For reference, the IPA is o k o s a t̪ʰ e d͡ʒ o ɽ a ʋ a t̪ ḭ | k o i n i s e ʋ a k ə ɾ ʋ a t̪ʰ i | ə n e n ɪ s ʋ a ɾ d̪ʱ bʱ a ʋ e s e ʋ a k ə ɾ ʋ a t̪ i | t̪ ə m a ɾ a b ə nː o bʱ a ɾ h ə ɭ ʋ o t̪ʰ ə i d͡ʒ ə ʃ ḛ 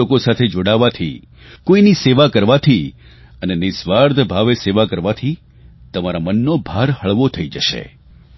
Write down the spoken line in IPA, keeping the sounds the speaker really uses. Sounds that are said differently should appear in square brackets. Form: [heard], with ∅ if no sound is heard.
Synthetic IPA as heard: o k o s a t̪ʰ e d͡ʒ o ɽ a ʋ a [t̪ʰ] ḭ | k o i n i s e ʋ a k ə ɾ ʋ a t̪ʰ i | ə n e n ɪ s ʋ a ɾ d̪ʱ bʱ a ʋ e s e ʋ a k ə ɾ ʋ a [t̪ʰ] i | t̪ ə m a ɾ a [m] ə nː o bʱ a ɾ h ə ɭ ʋ o t̪ʰ ə i d͡ʒ ə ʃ ḛ